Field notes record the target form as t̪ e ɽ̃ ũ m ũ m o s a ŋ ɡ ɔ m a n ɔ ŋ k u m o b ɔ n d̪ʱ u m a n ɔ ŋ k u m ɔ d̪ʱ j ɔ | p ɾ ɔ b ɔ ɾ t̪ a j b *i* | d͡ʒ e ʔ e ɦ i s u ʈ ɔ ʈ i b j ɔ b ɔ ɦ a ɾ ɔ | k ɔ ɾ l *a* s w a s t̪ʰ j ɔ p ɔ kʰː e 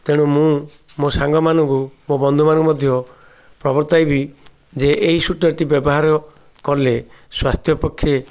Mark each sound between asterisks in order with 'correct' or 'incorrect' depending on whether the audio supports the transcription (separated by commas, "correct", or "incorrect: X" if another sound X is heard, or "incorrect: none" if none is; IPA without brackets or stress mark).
correct, incorrect: e